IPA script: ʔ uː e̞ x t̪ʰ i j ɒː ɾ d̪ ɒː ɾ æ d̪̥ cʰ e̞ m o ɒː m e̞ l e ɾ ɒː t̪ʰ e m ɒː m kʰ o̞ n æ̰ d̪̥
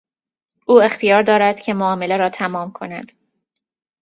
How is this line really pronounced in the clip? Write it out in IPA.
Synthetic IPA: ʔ uː e̞ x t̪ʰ i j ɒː ɾ d̪ ɒː ɾ æ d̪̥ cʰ e̞ m o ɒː m e̞ l e ɾ ɒː t̪ʰ æ m ɒː m kʰ o̞ n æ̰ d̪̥